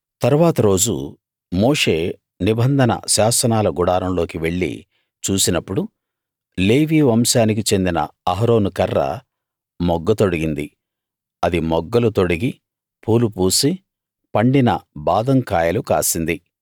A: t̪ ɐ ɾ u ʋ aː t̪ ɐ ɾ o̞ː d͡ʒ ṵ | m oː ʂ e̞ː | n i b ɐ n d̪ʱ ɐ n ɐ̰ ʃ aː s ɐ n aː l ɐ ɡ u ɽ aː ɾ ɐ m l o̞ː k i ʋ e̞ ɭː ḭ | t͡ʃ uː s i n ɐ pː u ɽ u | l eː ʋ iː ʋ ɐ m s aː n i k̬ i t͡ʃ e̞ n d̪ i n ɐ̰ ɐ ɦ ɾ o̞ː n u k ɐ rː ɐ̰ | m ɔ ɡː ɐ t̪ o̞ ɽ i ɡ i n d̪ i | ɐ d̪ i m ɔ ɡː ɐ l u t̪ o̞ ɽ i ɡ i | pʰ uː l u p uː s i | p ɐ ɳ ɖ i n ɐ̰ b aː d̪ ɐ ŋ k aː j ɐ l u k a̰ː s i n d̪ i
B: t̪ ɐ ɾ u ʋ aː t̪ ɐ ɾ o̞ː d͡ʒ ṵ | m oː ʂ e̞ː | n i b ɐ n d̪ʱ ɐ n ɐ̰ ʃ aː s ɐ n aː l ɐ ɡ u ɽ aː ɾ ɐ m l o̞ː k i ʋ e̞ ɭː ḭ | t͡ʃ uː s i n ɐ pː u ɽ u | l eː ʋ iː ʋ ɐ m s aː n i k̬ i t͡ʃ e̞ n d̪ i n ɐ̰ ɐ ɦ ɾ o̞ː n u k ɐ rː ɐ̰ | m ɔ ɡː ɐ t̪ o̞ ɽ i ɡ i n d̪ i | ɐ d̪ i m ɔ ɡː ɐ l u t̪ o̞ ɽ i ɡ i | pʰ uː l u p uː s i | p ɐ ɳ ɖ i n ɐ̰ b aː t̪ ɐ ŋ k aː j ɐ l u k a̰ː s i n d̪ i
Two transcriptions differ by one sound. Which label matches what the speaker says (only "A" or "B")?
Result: A